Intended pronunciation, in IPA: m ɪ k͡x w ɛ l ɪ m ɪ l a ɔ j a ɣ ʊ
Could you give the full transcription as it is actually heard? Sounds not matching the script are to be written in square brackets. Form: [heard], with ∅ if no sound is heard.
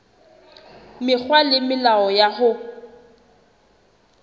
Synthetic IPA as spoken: m ɪ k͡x w [a] l ɪ m ɪ l a ɔ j a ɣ ʊ